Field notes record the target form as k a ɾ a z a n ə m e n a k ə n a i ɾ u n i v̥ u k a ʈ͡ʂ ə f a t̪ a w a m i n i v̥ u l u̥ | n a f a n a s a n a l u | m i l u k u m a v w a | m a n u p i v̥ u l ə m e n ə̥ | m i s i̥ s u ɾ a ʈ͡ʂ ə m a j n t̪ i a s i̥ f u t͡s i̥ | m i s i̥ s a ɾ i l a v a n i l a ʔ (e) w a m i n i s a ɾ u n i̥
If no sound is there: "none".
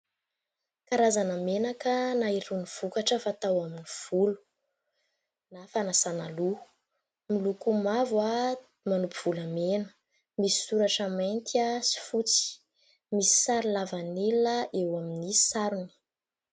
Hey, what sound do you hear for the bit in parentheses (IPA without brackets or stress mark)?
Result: e